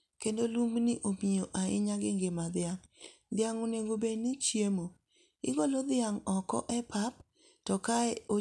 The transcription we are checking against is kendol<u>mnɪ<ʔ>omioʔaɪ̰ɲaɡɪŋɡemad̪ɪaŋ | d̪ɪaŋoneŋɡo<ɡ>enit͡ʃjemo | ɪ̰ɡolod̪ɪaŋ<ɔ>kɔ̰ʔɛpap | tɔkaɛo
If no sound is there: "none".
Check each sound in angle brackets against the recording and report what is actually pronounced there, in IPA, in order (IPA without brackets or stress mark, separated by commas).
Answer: u, ʔ, b, ɔ